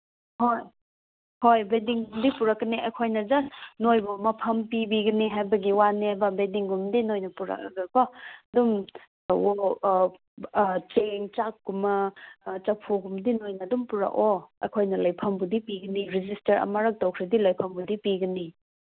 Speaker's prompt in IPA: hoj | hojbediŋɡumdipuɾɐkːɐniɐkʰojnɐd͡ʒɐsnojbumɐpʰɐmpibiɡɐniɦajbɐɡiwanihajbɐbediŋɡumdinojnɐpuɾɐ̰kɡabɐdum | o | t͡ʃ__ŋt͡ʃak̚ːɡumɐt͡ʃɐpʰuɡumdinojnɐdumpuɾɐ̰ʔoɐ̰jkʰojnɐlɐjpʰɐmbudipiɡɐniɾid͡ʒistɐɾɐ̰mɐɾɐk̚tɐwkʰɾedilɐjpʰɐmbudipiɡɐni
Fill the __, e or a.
e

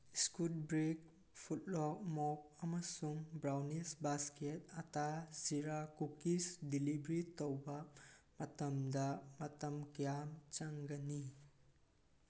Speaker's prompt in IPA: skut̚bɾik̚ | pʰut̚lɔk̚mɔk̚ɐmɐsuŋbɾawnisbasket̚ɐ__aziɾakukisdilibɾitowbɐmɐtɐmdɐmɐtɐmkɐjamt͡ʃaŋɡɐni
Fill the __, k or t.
t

